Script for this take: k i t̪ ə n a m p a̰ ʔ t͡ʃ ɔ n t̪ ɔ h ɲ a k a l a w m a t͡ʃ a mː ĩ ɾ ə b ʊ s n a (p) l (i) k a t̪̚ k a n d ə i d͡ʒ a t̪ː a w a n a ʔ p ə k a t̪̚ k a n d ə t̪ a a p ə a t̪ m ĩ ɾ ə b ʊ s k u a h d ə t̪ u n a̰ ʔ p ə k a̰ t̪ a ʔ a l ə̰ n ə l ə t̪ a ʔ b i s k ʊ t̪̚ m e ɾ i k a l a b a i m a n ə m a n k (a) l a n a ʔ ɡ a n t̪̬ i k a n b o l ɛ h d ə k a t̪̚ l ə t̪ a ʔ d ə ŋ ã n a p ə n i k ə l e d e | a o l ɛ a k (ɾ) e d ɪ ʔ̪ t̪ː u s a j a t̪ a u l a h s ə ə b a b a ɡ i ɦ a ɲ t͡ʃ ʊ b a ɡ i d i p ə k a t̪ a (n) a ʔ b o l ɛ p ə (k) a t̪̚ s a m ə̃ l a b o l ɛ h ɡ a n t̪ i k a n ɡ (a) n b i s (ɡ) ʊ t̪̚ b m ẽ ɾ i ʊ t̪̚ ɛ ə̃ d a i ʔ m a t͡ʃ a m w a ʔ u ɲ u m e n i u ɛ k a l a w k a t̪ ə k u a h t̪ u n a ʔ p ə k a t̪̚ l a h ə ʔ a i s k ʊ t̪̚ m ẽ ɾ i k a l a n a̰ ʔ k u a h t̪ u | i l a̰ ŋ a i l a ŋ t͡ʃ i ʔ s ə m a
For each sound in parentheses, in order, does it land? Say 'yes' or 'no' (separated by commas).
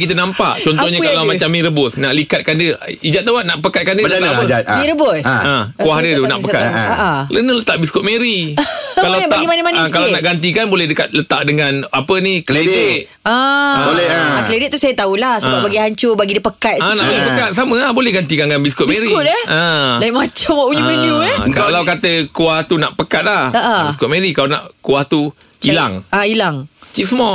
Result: no, yes, yes, no, yes, yes, yes, no